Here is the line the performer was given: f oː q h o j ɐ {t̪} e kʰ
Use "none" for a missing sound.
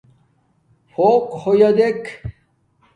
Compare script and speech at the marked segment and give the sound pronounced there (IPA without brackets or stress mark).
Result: d̪